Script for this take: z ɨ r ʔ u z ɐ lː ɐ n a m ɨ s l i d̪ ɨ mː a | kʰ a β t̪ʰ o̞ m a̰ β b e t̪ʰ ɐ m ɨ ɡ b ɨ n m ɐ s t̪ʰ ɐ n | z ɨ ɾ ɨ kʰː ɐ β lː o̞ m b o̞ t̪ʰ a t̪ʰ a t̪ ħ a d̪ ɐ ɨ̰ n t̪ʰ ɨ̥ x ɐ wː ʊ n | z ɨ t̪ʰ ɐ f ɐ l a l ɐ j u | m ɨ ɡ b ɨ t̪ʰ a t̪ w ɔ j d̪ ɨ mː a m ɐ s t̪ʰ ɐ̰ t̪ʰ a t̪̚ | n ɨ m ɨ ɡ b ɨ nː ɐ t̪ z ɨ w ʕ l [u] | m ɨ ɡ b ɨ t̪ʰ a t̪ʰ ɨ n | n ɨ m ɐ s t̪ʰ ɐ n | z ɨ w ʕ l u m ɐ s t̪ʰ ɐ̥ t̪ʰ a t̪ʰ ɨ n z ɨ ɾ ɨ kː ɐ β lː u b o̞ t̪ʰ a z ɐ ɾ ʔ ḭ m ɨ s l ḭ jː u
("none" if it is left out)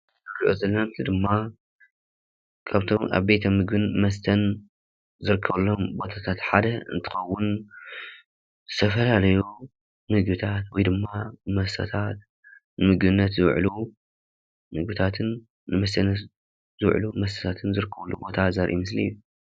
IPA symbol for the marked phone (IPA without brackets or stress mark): u